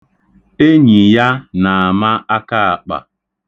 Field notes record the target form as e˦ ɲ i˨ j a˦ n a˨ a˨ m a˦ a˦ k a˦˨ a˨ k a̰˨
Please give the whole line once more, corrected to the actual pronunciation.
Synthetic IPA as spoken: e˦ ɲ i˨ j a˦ n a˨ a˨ m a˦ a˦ k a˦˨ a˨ k͡p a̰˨